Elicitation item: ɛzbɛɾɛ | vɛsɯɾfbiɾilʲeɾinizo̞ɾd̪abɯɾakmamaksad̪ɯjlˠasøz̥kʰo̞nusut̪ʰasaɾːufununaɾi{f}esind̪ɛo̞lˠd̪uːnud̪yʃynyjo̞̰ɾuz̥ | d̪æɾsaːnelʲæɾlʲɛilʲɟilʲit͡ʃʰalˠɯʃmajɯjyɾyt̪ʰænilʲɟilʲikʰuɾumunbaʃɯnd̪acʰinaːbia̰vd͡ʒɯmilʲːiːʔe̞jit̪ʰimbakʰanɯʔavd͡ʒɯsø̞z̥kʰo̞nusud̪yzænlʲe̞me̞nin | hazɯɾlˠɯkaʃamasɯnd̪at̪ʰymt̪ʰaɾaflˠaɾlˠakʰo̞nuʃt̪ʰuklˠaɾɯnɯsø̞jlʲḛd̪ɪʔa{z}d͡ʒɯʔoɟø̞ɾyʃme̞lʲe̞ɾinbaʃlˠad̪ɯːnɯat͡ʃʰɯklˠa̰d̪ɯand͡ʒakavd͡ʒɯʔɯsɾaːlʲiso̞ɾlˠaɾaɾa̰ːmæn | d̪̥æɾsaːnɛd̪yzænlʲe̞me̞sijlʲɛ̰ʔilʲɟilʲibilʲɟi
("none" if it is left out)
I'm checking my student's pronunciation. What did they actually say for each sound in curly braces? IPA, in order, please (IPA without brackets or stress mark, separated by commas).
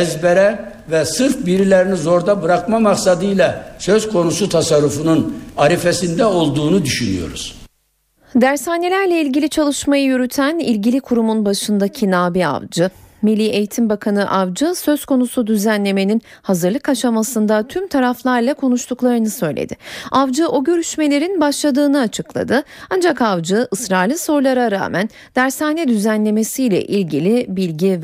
f, v